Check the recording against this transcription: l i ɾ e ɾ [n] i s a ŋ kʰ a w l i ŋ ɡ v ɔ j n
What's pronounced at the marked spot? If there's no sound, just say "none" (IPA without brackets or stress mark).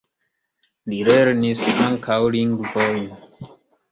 n